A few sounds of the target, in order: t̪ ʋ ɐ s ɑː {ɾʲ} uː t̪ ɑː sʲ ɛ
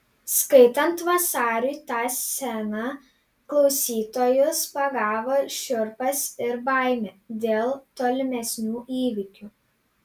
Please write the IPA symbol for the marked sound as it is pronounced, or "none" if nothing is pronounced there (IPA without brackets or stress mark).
ɾʲ